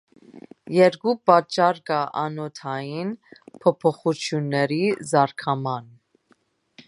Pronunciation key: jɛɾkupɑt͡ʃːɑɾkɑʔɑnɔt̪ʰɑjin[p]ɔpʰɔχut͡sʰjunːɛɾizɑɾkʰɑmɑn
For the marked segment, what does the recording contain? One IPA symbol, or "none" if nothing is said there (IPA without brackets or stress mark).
pʰ